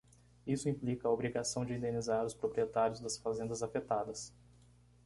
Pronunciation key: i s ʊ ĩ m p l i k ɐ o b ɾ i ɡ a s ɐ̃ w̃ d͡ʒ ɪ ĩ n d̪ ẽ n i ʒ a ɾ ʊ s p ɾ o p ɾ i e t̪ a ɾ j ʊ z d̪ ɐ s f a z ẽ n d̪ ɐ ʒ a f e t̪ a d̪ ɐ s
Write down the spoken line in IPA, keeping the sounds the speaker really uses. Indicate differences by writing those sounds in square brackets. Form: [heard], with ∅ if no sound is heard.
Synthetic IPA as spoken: i s ʊ ĩ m p l i k ɐ o b ɾ i ɡ a s ɐ̃ w̃ d͡ʒ ɪ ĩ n d̪ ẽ n i [z] a ɾ ʊ s p ɾ o p ɾ i e t̪ a ɾ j ʊ z d̪ ɐ s f a z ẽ n d̪ ɐ [z] a f e t̪ a d̪ ɐ s